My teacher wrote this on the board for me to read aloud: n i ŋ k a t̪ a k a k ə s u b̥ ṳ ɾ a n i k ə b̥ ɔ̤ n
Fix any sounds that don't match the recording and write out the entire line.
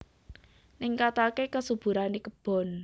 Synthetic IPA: n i ŋ k a t̪ a k e k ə s u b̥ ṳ ɾ a n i k ə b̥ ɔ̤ n